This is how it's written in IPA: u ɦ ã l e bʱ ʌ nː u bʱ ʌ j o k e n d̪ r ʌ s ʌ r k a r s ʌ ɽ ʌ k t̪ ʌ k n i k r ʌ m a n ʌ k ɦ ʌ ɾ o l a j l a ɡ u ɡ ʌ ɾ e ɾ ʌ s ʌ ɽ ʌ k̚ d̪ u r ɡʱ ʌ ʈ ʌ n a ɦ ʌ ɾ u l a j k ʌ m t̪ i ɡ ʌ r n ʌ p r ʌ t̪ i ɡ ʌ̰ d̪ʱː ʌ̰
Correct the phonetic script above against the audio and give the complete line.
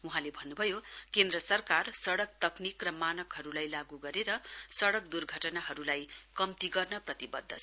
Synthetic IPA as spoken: u ɦ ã l e bʱ ʌ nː u bʱ ʌ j o k e n d̪ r ʌ s ʌ r k a r s ʌ ɽ ʌ k t̪ ʌ k n i k r ʌ m a n ʌ k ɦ ʌ ɾ u l a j l a ɡ u ɡ ʌ ɾ e ɾ ʌ s ʌ ɽ ʌ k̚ d̪ u r ɡʱ ʌ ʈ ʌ n a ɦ ʌ ɾ u l a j k ʌ m t̪ i ɡ ʌ r n ʌ p r ʌ t̪ i b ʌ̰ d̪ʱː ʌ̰